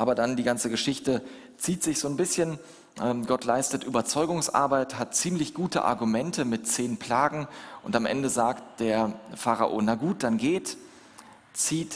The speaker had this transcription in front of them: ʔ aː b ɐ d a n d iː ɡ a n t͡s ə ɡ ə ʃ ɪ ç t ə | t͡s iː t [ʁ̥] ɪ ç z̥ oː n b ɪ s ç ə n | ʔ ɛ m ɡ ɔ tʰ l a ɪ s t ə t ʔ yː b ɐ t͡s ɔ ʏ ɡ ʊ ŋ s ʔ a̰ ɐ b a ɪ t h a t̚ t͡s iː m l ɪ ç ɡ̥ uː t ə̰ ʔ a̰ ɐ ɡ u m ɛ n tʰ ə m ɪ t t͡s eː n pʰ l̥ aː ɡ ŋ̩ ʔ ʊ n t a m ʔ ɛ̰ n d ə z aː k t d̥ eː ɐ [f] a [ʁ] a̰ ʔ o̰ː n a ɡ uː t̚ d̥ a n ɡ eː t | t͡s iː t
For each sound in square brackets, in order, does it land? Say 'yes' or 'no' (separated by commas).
no, yes, yes